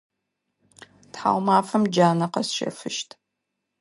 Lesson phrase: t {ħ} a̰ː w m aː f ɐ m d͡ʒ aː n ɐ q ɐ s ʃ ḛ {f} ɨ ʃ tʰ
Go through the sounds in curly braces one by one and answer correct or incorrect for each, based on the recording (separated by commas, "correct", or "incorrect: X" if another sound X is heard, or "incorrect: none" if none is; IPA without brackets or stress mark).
correct, correct